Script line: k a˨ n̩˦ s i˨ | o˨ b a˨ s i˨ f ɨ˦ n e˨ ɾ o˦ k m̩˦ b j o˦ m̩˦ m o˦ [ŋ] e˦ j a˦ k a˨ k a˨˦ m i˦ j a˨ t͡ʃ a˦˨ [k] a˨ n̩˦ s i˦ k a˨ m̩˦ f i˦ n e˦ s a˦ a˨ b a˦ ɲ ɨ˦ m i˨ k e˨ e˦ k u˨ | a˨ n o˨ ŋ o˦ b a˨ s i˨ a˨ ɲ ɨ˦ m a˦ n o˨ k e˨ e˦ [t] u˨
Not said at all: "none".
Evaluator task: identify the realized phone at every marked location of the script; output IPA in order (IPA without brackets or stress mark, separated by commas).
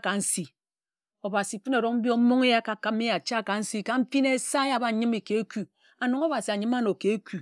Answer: ŋ, k, k